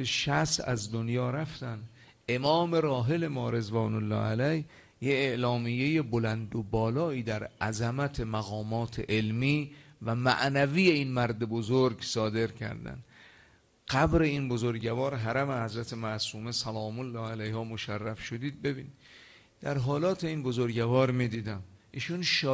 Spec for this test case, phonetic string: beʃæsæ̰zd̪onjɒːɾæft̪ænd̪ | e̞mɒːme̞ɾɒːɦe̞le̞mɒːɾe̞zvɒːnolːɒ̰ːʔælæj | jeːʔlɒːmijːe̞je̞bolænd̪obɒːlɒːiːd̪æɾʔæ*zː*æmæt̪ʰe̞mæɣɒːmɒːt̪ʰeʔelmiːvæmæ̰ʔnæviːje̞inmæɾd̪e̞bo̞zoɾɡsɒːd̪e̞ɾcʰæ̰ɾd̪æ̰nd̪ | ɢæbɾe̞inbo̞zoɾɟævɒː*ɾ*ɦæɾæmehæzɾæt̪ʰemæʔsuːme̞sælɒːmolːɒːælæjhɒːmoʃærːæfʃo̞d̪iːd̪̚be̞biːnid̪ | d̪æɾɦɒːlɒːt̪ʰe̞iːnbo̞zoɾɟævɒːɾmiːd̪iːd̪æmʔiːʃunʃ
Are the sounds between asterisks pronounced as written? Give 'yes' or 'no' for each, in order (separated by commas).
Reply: no, yes